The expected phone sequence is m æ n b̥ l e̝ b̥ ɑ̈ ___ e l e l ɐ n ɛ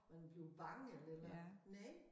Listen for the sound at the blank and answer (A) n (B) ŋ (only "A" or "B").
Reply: B